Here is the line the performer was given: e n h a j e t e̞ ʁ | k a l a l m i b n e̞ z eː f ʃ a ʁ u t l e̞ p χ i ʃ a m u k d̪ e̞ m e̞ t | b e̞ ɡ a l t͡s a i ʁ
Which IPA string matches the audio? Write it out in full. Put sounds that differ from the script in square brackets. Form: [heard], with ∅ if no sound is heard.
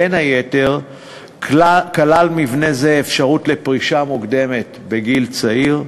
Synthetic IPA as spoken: e n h a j e t e̞ ʁ | k a l a l m i [v] n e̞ z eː f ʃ a ʁ u t l e̞ p [ʁ] i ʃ a m u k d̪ e̞ m e̞ t | b e̞ ɡ [i] l t͡s a i ʁ